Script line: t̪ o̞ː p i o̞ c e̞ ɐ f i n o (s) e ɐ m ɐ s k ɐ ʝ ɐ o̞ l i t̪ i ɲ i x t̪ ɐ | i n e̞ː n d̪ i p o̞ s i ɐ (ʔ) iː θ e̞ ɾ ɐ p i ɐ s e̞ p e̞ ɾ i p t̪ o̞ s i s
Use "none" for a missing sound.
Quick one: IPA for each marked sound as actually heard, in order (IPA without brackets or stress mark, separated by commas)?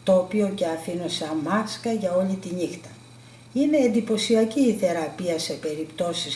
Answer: s, c